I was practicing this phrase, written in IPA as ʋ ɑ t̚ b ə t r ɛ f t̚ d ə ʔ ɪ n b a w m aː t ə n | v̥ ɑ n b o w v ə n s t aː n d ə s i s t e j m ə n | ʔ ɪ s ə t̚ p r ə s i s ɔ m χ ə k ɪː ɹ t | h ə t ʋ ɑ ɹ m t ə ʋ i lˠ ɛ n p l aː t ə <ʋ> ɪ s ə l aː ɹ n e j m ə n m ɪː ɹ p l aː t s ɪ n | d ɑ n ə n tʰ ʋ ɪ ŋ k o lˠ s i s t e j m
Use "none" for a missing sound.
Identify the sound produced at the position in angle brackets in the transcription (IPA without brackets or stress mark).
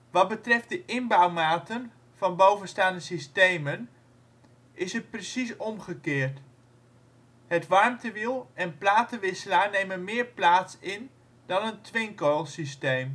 ʋ